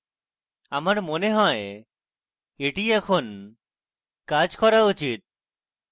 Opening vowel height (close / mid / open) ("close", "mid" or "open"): open